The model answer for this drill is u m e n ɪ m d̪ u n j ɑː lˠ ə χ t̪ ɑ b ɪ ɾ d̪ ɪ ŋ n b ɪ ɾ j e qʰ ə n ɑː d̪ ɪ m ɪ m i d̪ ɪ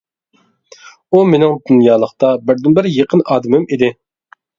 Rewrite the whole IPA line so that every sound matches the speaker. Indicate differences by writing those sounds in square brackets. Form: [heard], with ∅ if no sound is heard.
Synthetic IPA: u m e n ɪ [ŋ] d̪ u n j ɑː lˠ ə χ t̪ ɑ b ɪ ɾ d̪ ɪ [∅] n b ɪ ɾ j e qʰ ə n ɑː d̪ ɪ m ɪ m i d̪ ɪ